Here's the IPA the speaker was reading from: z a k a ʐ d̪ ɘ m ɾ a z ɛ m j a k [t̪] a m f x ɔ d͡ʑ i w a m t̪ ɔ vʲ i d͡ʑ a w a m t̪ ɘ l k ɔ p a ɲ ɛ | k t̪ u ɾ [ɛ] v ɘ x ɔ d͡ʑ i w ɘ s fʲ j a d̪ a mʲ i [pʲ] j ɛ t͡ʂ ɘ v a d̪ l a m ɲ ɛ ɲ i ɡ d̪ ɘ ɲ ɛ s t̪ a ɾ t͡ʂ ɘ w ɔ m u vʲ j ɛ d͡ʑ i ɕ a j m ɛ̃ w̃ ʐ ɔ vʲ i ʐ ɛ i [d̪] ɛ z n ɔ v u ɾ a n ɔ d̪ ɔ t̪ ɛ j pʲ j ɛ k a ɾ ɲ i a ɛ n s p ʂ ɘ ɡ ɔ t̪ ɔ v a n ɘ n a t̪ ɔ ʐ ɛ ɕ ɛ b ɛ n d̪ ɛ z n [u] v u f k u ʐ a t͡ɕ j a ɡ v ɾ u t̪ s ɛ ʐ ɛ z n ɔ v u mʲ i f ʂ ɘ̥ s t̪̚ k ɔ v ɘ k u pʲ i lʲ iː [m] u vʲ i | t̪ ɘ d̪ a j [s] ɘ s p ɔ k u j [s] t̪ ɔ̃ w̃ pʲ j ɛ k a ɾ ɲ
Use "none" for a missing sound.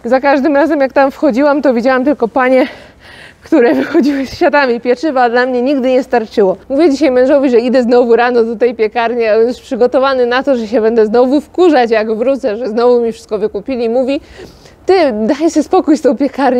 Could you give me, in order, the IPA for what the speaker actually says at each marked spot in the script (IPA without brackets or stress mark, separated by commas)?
t̪, ɛ, pʲ, d̪, ɔ, m, s, s